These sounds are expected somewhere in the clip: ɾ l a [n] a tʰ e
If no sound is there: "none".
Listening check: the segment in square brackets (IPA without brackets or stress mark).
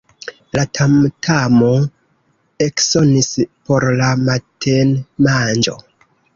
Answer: m